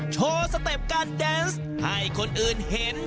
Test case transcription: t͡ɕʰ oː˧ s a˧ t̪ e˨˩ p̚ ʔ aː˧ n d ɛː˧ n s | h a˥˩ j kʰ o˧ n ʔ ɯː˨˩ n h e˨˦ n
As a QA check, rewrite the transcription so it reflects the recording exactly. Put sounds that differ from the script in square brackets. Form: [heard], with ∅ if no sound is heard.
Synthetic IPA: t͡ɕʰ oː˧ s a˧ t̪ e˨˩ p̚ [k] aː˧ n d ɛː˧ n s | h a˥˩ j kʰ o˧ n ʔ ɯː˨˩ n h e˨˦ n